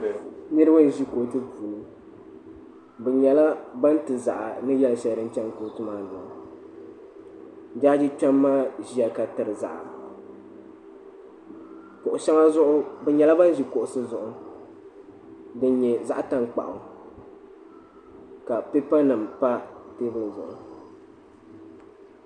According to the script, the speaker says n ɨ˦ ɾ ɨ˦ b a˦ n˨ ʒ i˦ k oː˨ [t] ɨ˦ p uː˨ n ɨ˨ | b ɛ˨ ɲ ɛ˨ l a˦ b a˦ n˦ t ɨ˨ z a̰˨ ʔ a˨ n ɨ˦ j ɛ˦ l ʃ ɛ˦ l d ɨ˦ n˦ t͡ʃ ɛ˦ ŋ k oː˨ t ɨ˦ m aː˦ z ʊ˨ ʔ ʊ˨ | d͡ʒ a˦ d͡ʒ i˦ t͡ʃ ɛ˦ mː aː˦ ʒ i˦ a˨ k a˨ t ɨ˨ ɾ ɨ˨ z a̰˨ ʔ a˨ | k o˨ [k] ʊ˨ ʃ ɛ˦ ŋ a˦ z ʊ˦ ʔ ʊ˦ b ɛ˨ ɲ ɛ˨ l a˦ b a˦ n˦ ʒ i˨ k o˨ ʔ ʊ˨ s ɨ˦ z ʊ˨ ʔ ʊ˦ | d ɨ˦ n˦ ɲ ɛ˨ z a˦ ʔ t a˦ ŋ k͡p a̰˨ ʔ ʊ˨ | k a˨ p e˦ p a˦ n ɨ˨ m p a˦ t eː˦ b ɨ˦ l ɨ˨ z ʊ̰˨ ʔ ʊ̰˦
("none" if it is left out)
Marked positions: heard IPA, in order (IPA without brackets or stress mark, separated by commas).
t, ʔ